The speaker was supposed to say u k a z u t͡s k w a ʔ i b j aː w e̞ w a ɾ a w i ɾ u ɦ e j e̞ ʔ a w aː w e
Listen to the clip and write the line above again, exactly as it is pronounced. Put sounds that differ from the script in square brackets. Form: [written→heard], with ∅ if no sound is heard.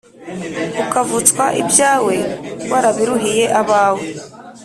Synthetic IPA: u k a [z→v] u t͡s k w a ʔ i b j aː w e̞ w a ɾ a [w→β] i ɾ u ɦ [e→i] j e̞ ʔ a [w→β] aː w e